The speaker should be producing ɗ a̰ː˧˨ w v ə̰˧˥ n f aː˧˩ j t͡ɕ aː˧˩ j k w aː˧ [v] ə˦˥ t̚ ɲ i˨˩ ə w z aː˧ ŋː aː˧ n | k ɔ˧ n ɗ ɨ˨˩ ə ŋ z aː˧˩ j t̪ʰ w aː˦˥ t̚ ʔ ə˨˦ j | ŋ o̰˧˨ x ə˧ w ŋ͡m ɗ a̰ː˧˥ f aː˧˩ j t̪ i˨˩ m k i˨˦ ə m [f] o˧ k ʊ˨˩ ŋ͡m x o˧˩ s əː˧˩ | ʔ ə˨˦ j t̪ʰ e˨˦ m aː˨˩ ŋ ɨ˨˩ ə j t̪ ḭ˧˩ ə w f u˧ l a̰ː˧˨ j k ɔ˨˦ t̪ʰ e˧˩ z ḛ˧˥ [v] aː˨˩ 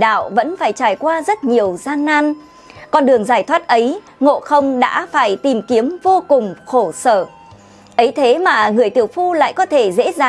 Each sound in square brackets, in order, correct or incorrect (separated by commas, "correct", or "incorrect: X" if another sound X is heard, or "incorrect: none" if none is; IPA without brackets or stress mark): incorrect: z, incorrect: v, incorrect: z